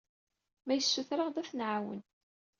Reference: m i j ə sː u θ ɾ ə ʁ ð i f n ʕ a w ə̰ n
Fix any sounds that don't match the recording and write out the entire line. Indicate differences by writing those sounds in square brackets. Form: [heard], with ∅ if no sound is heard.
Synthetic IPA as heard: m [æ] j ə sː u θ ɾ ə ʁ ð [æ] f n ʕ a w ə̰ n

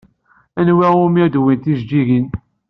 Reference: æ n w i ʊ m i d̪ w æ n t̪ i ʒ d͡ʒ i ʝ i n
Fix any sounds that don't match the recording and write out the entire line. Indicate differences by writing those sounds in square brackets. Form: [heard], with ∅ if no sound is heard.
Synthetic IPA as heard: æ n w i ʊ m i d̪ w [i] n t̪ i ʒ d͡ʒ i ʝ i n

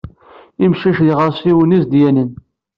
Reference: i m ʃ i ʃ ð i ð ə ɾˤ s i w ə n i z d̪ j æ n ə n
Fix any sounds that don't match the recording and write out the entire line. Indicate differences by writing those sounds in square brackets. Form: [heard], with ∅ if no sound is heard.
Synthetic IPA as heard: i m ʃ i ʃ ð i [ʁ] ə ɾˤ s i w ə n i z d̪ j æ n ə n

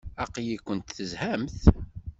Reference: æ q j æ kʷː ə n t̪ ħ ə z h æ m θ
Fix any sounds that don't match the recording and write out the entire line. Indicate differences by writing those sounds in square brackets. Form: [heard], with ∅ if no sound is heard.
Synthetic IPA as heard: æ q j [i] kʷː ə n t̪ [θ] ə z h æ m θ

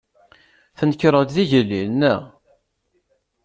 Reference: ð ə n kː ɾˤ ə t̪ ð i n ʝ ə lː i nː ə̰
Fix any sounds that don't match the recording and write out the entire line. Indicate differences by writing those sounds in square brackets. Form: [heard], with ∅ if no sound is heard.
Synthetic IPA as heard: [θ] ə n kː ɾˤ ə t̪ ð i [∅] ʝ ə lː i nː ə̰

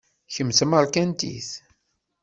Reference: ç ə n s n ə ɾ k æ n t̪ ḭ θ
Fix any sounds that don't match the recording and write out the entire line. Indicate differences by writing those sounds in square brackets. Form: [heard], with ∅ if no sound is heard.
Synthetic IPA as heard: ç ə [m] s [m] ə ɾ k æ n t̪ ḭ θ

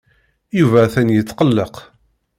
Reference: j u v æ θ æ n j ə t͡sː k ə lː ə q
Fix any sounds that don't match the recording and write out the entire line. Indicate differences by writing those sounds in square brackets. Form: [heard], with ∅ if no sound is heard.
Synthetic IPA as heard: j u v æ θ æ n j ə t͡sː [q] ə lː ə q

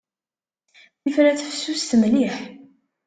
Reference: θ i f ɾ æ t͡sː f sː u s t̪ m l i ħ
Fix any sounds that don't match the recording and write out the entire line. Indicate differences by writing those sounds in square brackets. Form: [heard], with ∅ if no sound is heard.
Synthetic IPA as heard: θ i f ɾ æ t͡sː f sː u s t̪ m l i ħ

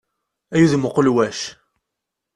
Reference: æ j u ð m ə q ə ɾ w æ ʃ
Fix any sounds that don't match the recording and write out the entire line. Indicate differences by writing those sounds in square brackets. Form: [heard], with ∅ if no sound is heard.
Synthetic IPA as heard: æ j u ð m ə q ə [l] w æ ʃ

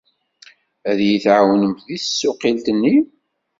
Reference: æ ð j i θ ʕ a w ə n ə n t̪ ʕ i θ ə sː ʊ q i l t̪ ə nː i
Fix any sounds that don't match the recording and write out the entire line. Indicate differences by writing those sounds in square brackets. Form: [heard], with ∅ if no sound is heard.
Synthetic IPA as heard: æ ð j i θ ʕ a w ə n ə [m] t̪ [ð] i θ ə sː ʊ q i l t̪ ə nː i

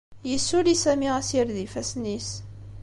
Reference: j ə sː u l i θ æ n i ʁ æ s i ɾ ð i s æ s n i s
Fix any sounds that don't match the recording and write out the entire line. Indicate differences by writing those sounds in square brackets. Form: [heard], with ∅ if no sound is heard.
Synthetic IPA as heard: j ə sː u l i [s] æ [m] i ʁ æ s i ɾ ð i [f] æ s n i s

